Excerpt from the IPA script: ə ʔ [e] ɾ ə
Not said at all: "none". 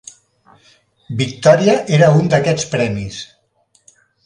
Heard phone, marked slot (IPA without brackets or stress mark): e